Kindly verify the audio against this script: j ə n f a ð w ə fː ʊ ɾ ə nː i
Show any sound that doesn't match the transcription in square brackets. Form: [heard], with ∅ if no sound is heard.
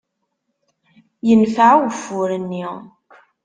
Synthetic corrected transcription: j ə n f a [ʕ] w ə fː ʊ ɾ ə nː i